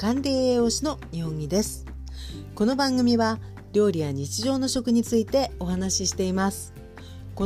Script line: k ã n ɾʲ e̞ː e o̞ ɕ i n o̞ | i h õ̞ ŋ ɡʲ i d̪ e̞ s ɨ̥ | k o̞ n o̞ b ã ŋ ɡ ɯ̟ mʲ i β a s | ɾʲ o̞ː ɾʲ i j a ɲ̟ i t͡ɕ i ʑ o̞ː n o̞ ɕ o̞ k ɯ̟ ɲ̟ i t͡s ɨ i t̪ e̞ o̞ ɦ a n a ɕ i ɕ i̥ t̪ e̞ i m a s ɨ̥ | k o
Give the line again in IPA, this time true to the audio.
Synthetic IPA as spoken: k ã n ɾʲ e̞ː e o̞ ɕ i n o̞ | i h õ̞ ŋ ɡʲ i d̪ e̞ s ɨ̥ | k o̞ n o̞ b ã ŋ ɡ ɯ̟ mʲ i β a | ɾʲ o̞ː ɾʲ i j a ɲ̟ i t͡ɕ i ʑ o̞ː n o̞ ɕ o̞ k ɯ̟ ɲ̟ i t͡s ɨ i t̪ e̞ o̞ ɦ a n a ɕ i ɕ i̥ t̪ e̞ i m a s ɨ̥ | k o